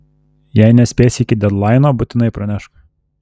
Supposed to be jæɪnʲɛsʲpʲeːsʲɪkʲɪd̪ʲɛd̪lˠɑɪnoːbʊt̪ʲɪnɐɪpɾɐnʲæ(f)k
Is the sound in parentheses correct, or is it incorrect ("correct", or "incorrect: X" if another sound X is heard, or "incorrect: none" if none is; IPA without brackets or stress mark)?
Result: incorrect: ʃ